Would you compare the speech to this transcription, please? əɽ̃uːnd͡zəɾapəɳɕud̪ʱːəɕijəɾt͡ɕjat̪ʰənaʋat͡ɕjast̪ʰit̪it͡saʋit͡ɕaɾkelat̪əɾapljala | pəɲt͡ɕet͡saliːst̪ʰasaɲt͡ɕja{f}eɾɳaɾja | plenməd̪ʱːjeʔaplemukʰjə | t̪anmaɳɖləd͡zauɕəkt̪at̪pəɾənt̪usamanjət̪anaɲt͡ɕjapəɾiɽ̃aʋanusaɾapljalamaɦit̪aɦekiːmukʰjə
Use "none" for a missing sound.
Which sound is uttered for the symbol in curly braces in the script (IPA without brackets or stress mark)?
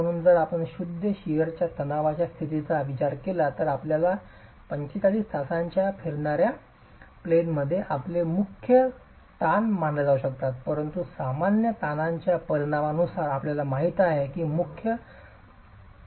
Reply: f